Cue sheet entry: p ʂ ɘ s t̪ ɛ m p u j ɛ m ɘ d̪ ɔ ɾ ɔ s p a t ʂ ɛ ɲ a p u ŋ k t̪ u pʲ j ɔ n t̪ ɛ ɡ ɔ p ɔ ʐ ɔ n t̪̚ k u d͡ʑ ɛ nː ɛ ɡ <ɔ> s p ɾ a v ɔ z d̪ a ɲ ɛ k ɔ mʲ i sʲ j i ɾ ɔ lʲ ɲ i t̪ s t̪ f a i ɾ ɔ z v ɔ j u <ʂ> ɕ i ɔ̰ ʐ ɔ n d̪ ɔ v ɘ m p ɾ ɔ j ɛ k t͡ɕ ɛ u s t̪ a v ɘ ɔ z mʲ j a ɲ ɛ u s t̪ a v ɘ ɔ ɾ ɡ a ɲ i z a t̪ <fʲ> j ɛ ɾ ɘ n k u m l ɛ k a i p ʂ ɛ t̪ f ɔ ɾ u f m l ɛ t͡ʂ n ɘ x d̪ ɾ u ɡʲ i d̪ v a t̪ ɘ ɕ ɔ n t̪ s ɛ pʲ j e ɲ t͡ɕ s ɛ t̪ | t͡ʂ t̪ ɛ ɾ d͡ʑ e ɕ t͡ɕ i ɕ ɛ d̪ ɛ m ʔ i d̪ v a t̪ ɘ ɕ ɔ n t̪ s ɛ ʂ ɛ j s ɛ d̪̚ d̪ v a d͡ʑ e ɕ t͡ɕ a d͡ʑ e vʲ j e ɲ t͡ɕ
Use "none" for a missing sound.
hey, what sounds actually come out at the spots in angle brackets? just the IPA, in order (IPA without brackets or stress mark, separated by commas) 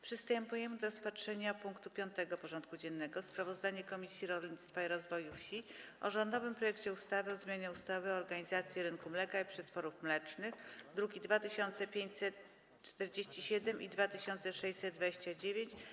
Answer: ɔ, f, sʲ